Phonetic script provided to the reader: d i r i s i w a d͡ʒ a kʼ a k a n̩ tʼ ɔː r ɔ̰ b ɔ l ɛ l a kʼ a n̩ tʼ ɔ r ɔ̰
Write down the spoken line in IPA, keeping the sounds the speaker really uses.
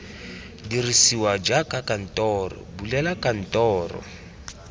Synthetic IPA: d i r i s i w a d͡ʒ a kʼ a k a n̩ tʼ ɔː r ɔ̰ b u l ɛ l a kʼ a n̩ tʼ ɔː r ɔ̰